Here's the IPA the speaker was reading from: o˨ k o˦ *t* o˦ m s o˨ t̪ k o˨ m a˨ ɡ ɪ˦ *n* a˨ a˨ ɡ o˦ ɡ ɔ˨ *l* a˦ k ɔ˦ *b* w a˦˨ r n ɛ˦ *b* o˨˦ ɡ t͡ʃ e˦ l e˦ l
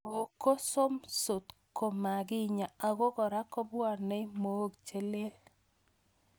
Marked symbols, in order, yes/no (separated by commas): no, no, no, yes, no